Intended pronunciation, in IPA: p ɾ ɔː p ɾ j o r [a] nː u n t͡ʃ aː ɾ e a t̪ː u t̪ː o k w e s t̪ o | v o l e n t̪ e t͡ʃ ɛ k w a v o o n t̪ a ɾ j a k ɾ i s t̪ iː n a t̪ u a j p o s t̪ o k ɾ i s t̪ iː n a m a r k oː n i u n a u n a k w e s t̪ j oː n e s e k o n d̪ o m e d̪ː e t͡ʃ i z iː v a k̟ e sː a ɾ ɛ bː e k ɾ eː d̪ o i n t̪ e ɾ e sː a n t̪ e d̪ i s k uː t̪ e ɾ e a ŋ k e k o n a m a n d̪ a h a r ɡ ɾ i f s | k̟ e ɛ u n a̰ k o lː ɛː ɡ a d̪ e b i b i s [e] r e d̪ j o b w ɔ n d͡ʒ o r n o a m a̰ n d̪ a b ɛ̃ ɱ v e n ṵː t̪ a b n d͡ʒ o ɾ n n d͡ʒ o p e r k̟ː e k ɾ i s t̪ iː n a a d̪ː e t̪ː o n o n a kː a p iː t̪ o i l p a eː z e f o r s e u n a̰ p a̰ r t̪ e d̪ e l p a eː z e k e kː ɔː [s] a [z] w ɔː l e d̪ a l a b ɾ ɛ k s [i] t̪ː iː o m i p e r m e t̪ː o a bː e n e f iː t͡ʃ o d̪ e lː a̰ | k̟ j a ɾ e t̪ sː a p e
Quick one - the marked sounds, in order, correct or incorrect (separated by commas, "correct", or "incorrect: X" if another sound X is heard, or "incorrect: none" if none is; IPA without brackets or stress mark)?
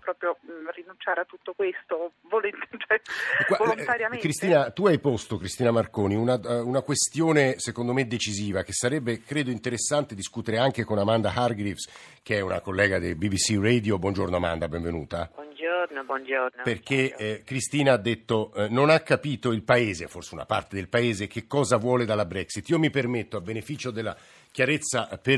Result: incorrect: i, incorrect: i, incorrect: z, incorrect: v, correct